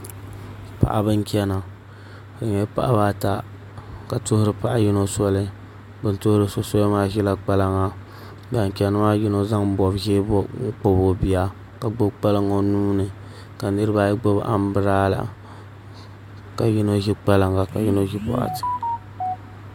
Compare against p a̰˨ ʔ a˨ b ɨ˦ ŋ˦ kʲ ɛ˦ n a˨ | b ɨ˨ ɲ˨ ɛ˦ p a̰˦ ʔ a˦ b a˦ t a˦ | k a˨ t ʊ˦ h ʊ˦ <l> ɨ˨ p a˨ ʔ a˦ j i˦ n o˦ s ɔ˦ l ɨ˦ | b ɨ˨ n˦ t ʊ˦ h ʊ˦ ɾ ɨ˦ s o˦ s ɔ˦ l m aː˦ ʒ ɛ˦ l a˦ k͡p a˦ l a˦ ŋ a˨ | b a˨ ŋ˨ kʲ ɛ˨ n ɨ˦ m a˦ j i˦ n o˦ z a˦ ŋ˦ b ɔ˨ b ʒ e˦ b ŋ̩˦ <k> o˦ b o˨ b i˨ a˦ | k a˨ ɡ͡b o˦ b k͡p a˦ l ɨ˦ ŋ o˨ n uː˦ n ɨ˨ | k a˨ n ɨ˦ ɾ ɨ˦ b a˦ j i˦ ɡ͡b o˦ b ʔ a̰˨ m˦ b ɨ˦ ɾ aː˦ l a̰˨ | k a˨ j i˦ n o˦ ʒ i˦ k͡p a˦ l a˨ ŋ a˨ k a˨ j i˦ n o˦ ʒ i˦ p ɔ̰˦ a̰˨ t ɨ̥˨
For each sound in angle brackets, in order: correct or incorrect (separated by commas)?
incorrect, incorrect